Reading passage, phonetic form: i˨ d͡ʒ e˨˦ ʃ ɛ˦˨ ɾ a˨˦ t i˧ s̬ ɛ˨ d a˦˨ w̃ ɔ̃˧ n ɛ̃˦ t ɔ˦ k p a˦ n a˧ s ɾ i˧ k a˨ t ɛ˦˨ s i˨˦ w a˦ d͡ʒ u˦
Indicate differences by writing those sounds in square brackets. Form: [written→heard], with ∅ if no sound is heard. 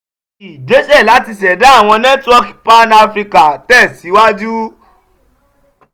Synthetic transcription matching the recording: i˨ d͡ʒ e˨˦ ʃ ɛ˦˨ [ɾ→l] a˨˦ t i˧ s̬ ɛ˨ d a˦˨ w̃ ɔ̃˧ n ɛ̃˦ t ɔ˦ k p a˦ n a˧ [s→f] ɾ i˧ k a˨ t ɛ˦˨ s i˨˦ w a˦ d͡ʒ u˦

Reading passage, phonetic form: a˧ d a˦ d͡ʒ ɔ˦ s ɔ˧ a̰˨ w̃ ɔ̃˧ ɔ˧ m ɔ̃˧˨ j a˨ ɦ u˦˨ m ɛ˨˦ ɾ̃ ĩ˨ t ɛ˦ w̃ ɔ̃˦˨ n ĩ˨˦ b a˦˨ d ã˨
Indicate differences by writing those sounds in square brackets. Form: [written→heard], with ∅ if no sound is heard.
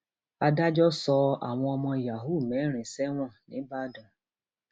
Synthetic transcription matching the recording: a˧ d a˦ d͡ʒ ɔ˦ s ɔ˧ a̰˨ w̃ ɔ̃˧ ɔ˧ m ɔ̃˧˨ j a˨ ɦ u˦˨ m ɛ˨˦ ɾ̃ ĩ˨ [t→s] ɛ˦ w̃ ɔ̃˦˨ n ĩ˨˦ b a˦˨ d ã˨

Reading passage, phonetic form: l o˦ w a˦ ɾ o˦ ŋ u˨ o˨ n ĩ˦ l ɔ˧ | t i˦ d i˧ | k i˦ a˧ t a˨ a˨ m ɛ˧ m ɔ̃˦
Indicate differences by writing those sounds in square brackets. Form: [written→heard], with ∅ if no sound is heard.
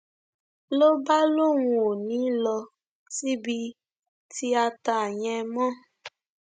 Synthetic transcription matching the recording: l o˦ [w→b] a˦ [ɾ→l] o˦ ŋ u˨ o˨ n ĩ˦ l ɔ˧ | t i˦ [d→b] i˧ | [k→t] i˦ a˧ t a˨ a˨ [m→ɲ] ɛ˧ m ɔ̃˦

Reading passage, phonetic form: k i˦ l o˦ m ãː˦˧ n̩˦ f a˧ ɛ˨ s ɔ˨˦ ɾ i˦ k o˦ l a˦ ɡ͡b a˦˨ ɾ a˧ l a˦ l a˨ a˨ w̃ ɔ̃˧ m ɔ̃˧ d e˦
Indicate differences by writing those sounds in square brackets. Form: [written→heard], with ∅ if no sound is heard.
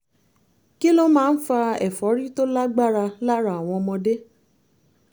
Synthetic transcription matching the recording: k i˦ l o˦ m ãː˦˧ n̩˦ f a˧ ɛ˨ [s→f] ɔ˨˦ ɾ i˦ [k→t] o˦ l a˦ ɡ͡b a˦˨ ɾ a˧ l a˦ [l→ɾ] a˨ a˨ w̃ ɔ̃˧ m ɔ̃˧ d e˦

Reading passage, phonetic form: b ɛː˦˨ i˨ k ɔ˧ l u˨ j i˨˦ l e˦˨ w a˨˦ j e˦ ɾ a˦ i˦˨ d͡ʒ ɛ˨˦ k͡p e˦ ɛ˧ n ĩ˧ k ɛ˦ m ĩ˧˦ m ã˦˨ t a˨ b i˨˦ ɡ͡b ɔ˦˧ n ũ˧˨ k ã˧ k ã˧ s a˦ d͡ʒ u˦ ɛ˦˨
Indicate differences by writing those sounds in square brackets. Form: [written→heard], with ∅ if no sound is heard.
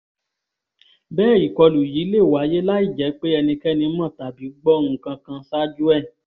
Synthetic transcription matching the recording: b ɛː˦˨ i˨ k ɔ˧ l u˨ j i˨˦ l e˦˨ w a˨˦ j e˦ [ɾ→l] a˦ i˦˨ d͡ʒ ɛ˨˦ k͡p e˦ ɛ˧ n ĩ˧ k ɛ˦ [m→n] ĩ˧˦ m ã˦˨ t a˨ b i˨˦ ɡ͡b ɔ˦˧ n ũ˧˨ k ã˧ k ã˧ s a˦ d͡ʒ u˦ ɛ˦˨

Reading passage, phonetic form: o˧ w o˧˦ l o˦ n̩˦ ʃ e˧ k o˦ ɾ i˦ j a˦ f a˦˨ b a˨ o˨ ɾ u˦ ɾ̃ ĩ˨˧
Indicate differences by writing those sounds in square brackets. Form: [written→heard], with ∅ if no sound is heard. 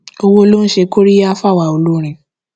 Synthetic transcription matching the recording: o˧ w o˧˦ l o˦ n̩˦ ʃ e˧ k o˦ ɾ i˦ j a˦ f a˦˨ [b→w] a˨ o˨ [ɾ→l] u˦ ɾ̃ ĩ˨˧

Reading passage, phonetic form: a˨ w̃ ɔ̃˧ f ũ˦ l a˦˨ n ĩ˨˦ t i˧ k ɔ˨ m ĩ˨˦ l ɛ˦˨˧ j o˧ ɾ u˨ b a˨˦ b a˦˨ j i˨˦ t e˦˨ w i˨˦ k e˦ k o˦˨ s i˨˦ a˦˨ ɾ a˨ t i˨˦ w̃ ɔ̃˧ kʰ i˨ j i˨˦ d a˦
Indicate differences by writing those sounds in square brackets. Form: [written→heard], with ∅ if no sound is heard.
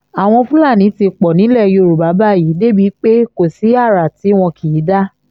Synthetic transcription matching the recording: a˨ w̃ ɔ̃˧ f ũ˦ l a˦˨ n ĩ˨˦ t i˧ [k→k͡p] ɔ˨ [m→n] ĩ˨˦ l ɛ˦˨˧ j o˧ ɾ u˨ b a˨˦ b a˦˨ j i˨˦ [t→d] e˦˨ [w→b] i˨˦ [k→k͡p] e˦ k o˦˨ s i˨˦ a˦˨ ɾ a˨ t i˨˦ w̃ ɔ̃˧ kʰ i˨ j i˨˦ d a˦

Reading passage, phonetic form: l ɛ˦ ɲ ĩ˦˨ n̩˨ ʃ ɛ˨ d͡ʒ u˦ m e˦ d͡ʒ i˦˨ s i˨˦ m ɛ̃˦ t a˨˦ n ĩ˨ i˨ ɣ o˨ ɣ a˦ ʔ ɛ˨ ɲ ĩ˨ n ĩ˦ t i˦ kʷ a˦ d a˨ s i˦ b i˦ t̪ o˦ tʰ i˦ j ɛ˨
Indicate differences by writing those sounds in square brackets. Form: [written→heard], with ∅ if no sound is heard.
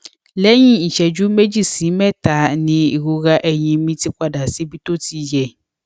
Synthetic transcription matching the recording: l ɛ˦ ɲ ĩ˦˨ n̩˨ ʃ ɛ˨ d͡ʒ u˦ m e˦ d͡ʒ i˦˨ s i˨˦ m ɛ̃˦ t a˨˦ n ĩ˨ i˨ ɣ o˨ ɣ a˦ ʔ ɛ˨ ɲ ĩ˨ [n→m] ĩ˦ t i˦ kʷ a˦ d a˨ s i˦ b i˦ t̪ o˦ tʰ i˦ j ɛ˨

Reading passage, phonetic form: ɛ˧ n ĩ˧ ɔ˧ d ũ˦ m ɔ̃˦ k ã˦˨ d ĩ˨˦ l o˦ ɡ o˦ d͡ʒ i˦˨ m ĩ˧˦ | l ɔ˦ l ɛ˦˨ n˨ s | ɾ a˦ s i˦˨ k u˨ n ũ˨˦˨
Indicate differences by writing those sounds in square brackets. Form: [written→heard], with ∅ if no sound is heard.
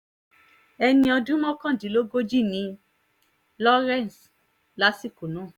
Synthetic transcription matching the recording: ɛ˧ n ĩ˧ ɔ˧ d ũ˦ m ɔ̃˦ k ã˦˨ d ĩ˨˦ l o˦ ɡ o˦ d͡ʒ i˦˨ [m→n] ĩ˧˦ | l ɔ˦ [l→ɾ] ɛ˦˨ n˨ s | [ɾ→l] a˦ s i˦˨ k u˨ n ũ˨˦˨

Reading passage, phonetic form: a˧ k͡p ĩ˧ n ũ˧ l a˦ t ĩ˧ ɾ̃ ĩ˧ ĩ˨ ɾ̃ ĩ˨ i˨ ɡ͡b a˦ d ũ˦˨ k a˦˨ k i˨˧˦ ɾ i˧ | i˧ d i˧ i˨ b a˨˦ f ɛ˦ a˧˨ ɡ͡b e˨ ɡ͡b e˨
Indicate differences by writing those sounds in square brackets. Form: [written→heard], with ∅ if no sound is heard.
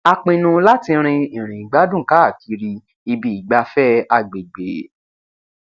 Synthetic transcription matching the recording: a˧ k͡p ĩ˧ n ũ˧ l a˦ t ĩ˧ ɾ̃ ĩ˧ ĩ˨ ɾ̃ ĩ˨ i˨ ɡ͡b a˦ d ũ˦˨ k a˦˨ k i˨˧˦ ɾ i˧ | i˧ [d→b] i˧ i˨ [b→ɡ͡b] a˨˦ f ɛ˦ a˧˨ ɡ͡b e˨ ɡ͡b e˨

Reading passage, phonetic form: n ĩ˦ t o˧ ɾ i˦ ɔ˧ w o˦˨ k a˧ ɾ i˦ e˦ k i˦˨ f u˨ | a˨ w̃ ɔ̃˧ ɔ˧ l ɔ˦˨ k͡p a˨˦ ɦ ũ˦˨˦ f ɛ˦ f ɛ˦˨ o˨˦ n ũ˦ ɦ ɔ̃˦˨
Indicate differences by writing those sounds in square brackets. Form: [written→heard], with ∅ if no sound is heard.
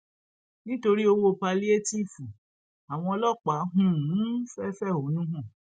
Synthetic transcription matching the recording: n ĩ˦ t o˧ ɾ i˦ [ɔ˧→o˧] w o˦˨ [k→p] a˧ [ɾ→l] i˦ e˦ [k→t] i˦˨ f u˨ | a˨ w̃ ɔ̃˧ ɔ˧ l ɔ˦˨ k͡p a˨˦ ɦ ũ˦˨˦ f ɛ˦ f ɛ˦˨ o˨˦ n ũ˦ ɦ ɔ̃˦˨

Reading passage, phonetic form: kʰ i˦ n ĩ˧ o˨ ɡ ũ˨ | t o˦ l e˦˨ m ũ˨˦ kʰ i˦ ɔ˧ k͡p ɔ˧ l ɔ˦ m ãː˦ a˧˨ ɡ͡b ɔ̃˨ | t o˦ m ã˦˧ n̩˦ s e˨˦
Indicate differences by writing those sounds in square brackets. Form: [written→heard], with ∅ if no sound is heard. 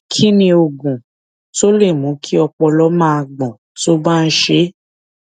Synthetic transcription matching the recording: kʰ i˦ n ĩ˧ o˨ ɡ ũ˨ | t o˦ l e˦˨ m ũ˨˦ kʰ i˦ ɔ˧ k͡p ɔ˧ l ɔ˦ m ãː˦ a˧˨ ɡ͡b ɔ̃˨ | t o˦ [m→b] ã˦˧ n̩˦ [s→ʃ] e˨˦

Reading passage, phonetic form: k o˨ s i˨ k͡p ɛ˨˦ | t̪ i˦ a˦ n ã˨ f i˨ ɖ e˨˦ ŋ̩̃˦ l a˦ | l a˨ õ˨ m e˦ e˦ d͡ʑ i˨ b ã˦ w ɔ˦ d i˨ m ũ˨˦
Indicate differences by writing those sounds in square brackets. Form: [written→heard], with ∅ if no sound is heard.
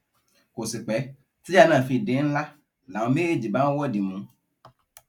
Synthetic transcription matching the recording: k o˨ s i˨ k͡p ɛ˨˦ | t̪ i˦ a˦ n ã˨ f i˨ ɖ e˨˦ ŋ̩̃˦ l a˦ | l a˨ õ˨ m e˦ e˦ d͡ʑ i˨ b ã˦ w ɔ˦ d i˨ m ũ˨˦

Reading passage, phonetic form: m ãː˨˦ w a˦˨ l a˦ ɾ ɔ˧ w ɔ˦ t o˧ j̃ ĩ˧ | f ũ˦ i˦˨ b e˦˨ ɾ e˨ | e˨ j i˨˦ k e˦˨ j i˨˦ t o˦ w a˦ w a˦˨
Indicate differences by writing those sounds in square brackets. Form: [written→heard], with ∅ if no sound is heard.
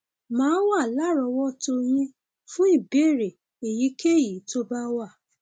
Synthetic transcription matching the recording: m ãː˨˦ w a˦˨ l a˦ ɾ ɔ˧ w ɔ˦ t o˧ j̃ ĩ˧ | f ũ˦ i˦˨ b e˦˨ ɾ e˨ | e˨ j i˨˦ k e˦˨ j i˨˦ t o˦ [w→b] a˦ w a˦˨

